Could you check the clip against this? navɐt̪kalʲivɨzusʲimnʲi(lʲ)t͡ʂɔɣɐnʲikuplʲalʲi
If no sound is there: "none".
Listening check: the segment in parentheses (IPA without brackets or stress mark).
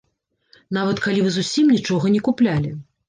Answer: none